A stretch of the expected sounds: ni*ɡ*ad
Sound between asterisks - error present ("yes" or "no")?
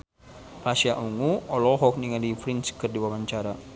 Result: yes